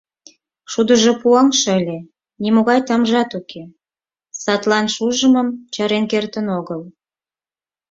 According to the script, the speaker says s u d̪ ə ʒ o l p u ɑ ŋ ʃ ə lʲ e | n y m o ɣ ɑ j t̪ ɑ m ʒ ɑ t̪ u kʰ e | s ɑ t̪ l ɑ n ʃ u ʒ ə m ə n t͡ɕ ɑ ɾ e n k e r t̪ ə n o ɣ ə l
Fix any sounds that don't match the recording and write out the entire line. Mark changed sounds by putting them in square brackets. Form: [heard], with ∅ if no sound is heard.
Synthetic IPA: [ʃ] u d̪ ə ʒ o [∅] p u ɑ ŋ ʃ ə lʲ e | n [i] m o ɣ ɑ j t̪ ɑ m ʒ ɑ t̪ u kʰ e | s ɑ t̪ l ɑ n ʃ u ʒ ə m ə [m] t͡ɕ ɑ ɾ e n k e r t̪ ə n o ɣ ə l